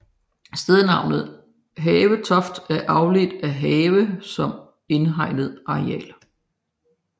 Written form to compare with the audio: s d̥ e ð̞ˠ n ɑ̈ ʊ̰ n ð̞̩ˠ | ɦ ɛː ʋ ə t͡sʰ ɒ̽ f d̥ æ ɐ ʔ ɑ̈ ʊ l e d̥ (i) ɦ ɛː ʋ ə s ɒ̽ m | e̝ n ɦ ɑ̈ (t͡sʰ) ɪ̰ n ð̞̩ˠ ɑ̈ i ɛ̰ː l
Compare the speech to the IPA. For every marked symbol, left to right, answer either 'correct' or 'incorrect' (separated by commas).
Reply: incorrect, incorrect